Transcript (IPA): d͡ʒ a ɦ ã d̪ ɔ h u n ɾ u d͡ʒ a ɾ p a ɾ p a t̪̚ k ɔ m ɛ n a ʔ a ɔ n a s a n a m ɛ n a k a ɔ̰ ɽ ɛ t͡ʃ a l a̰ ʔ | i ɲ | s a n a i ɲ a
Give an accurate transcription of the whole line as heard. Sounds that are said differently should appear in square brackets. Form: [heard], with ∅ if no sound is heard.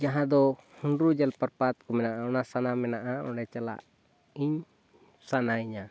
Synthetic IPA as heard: d͡ʒ a ɦ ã d̪ ɔ h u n ɾ u d͡ʒ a [l] p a ɾ p a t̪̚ k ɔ m ɛ n a ʔ a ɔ n a s a n a m ɛ n a [ʔ] a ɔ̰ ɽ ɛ t͡ʃ a l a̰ ʔ | i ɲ | s a n a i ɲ a